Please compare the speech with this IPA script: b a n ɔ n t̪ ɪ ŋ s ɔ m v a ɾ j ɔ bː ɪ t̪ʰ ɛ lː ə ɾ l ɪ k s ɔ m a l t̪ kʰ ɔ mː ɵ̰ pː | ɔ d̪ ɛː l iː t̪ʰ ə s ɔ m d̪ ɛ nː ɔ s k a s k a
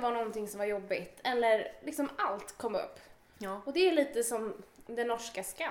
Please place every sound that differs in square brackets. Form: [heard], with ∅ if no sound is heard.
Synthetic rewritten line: [v] a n ɔ n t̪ ɪ ŋ s ɔ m v a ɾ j ɔ bː ɪ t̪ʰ ɛ lː ə ɾ l ɪ k s ɔ m a l t̪ kʰ ɔ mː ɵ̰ pː | ɔ d̪ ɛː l iː [t̪] ə s ɔ m d̪ ɛ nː ɔ [ʂ] k a s k a